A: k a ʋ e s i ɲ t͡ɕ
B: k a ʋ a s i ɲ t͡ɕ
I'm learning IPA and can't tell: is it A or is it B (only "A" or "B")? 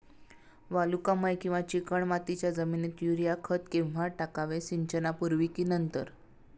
A